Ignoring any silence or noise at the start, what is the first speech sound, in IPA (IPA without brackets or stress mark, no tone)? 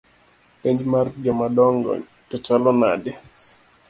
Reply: p